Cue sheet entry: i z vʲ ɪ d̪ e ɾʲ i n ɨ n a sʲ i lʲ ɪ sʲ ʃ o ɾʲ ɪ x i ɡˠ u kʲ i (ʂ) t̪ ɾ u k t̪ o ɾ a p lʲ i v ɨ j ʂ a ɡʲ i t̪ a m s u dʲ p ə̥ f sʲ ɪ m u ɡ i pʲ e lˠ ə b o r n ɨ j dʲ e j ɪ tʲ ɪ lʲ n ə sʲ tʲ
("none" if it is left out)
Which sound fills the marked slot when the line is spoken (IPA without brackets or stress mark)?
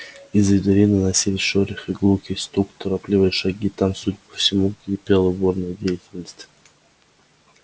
s